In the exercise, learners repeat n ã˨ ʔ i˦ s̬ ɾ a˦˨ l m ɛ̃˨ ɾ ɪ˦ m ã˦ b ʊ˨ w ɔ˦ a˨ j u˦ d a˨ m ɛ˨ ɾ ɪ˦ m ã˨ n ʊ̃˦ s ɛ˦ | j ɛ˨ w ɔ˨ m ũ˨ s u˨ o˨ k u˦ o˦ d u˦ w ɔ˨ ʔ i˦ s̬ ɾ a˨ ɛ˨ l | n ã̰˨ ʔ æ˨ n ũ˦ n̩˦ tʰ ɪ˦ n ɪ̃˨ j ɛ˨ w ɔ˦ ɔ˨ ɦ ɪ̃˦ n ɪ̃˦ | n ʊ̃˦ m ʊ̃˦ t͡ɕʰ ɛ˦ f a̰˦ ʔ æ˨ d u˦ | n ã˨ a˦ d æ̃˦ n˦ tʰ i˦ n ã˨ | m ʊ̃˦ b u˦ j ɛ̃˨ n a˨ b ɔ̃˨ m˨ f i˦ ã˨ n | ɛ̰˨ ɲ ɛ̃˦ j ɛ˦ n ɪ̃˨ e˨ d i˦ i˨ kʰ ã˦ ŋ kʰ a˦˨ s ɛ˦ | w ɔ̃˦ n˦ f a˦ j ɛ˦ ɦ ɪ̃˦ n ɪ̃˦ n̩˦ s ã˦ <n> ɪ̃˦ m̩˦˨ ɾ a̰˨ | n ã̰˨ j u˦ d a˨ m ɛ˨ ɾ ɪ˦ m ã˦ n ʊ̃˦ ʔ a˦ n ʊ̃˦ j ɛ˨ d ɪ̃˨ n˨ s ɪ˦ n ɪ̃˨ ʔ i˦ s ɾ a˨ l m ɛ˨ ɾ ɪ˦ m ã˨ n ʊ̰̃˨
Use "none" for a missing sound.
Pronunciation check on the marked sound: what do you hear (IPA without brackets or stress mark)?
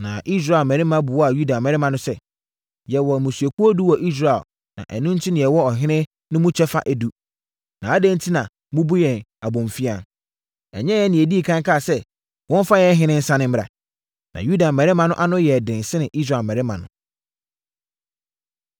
n